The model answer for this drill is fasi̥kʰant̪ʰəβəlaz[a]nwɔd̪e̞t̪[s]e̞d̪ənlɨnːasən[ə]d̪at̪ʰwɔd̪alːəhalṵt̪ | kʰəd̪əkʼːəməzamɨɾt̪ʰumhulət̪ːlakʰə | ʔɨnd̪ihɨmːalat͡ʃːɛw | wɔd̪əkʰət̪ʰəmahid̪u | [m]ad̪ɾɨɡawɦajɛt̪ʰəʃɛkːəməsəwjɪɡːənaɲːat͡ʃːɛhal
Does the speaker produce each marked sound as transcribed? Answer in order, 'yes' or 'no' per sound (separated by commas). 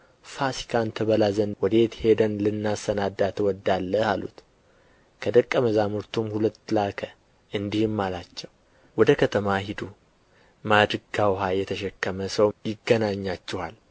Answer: no, no, no, yes